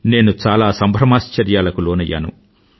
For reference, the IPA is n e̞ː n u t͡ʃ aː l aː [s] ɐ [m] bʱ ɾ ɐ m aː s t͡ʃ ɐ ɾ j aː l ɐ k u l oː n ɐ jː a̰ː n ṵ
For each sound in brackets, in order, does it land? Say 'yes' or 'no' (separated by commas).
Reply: yes, yes